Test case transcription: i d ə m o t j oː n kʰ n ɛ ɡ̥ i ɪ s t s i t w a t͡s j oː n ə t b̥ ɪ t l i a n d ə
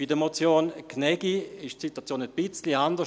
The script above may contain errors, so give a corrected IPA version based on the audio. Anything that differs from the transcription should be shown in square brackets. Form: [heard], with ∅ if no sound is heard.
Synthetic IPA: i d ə m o [t͡s] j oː n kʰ n ɛ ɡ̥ i ɪ [ʃ] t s i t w a t͡s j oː n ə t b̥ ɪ [t͡s] l i a n d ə